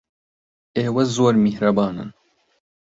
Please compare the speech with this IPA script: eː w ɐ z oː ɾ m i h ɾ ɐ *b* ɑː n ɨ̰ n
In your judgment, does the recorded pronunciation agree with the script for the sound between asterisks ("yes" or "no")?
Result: yes